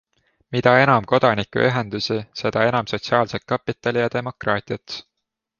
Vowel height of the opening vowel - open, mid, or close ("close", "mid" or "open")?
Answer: close